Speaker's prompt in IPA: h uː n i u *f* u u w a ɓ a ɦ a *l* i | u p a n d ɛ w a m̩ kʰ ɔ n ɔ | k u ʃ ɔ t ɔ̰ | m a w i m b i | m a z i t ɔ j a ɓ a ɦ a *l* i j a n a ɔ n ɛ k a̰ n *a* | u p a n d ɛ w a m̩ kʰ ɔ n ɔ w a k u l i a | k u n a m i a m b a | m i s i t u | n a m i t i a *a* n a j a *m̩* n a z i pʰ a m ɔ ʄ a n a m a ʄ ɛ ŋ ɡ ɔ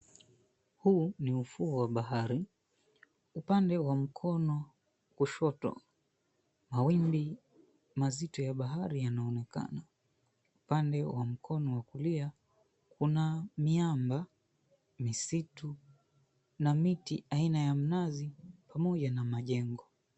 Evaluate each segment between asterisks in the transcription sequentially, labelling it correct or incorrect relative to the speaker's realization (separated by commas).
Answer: correct, incorrect, incorrect, correct, incorrect, correct